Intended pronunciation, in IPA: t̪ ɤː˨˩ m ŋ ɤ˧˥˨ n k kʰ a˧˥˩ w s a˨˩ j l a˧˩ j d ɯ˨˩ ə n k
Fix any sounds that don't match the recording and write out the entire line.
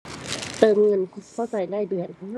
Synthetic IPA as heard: t̪ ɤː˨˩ m ŋ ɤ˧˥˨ n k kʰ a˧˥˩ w s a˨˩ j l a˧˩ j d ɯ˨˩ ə n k